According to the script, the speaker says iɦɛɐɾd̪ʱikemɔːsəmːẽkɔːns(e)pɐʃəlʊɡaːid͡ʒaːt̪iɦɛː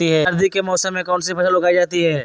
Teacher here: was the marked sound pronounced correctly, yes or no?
no